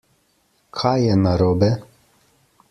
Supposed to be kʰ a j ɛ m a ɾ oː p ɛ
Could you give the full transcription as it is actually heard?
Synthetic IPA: kʰ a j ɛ n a ɾ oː b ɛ